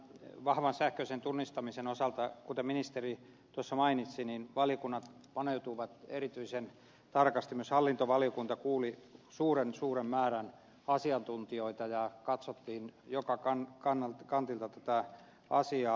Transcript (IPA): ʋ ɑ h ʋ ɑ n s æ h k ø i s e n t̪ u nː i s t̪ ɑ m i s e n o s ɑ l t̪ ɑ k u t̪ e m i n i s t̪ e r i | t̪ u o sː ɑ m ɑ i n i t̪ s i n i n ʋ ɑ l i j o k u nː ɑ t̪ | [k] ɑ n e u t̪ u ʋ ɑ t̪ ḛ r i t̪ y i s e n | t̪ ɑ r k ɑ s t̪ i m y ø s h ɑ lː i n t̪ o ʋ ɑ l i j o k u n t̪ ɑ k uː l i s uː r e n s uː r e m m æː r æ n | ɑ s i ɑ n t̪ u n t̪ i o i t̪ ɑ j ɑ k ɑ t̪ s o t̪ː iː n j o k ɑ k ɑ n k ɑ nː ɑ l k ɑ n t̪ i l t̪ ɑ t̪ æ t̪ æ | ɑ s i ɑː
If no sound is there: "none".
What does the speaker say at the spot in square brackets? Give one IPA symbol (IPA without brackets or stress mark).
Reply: p